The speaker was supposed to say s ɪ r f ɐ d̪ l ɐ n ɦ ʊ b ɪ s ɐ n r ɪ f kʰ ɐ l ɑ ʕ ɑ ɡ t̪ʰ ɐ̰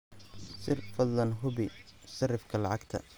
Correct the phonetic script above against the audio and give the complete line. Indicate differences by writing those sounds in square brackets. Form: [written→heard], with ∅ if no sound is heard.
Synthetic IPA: s ɪ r f ɐ d̪ l ɐ n ɦ ʊ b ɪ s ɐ [n→∅] r ɪ f kʰ ɐ l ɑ ʕ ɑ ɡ t̪ʰ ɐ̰